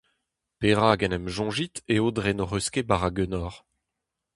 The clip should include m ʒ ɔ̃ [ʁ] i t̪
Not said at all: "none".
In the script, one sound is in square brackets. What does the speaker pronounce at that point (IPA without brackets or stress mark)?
ʒ